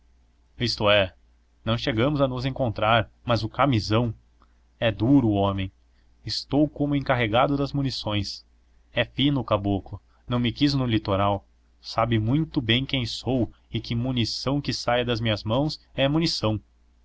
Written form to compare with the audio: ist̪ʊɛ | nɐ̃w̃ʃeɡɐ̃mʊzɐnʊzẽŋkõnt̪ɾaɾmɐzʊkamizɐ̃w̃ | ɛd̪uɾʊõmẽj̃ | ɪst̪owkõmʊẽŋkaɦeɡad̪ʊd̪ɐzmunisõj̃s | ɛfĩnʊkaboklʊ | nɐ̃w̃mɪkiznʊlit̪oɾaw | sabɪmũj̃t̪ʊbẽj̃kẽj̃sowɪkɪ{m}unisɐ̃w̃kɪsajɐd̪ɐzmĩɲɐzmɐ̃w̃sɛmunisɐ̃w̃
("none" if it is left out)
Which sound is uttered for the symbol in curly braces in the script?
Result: m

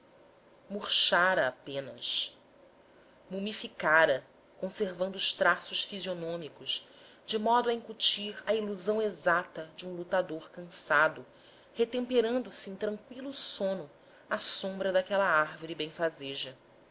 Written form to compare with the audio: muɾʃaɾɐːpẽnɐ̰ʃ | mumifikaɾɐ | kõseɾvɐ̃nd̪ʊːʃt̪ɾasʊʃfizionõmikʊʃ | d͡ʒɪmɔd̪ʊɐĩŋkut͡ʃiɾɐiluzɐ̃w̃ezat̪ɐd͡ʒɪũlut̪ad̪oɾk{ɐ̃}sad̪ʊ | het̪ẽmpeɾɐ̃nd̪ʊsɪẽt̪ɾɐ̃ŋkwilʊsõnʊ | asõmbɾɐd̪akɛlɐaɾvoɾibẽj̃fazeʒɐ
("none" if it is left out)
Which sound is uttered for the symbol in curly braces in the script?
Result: ɐ̃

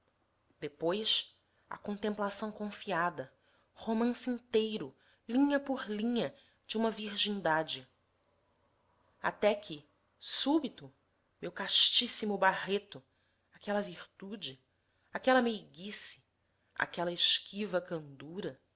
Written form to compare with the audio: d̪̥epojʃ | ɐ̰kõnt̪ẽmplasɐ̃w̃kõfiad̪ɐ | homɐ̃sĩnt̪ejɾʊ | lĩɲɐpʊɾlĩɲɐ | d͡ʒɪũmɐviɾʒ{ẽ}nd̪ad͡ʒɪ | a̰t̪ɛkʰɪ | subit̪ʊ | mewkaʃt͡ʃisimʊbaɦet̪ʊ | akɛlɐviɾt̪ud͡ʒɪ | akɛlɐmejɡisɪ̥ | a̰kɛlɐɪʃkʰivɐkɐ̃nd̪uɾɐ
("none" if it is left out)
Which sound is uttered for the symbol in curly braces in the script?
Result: ĩ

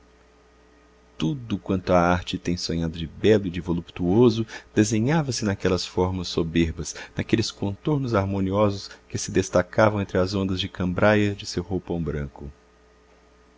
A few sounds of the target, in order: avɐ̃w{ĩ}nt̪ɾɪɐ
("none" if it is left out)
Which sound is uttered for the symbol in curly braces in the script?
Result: ẽ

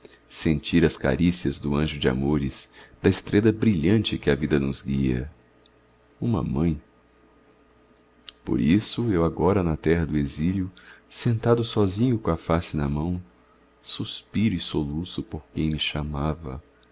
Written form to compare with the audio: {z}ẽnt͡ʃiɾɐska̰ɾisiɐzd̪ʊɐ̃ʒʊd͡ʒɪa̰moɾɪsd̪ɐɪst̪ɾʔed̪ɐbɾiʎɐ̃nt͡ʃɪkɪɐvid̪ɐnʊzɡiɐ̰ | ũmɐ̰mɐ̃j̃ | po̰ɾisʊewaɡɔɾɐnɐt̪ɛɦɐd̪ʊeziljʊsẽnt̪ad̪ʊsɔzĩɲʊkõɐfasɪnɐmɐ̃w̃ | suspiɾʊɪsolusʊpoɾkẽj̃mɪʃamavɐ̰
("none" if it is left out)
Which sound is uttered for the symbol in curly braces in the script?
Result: s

